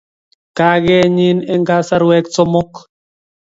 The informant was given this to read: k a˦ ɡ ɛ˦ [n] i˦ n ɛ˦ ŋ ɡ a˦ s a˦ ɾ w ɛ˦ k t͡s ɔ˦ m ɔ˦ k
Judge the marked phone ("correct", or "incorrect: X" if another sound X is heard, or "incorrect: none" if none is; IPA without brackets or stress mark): incorrect: ɲ